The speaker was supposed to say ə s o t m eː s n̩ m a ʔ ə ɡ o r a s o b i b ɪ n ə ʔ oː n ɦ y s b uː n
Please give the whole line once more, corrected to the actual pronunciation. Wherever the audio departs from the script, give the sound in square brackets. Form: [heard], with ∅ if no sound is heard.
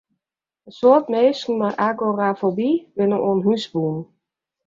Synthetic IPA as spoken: ə s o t m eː s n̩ m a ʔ [a] ɡ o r a [f] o b i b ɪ n ə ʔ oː n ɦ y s b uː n